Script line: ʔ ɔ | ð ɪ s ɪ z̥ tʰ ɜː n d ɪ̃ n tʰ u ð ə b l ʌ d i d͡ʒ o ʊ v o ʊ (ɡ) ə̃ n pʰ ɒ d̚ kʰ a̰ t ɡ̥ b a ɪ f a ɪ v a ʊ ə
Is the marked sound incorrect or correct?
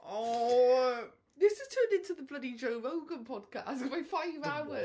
correct